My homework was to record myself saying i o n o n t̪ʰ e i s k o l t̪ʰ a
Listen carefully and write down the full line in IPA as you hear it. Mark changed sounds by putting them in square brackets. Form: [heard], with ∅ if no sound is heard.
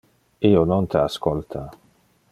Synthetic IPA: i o n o n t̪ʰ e [a] s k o l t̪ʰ a